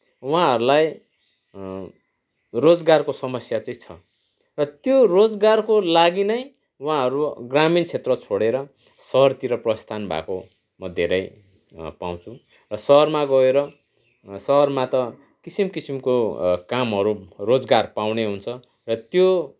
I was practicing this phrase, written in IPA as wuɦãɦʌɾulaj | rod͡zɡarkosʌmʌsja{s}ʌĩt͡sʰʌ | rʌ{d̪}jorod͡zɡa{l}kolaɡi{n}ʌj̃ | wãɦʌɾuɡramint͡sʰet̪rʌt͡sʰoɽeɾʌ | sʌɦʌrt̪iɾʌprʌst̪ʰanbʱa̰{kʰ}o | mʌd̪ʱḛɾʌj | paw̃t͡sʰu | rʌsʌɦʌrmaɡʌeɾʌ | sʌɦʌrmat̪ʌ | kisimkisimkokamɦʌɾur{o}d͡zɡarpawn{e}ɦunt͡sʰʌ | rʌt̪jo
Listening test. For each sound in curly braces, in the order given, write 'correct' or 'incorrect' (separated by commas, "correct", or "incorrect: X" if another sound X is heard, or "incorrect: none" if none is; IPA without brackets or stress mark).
incorrect: t͡s, incorrect: t̪, incorrect: r, correct, incorrect: k, correct, correct